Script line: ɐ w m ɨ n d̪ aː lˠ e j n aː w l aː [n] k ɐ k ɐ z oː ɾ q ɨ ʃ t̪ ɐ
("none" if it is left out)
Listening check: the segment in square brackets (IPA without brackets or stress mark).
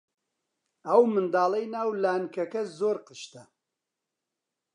n